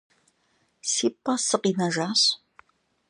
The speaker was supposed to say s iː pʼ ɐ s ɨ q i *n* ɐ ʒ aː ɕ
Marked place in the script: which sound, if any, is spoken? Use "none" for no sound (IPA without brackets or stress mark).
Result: n